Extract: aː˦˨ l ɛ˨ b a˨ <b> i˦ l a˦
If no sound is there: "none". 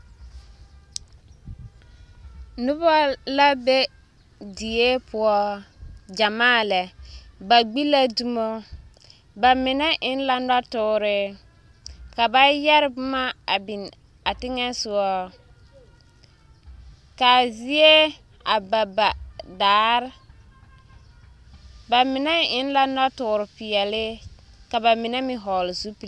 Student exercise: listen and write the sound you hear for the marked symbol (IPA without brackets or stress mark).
ɡ͡b